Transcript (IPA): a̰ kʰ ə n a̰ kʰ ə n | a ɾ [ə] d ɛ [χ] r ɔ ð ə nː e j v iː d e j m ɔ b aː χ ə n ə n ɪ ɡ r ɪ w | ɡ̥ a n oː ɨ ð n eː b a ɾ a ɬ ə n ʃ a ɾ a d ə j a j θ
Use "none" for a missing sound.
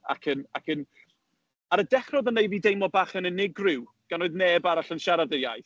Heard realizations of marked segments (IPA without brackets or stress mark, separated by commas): ə, χ